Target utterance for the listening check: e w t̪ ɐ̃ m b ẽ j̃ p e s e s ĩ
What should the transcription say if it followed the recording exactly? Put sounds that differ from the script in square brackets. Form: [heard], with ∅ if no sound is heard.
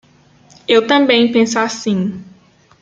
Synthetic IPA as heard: e w t̪ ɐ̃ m b ẽ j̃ p [ẽ] s [a] s ĩ